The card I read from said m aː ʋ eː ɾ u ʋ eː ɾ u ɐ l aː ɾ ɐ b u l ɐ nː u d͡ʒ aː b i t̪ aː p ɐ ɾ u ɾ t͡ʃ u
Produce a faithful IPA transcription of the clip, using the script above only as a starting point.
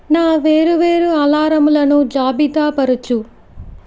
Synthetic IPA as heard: n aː ʋ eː ɾ u ʋ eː ɾ u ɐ l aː ɾ ɐ m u l ɐ n u d͡ʒ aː b i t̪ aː p ɐ ɾ u t͡ʃ u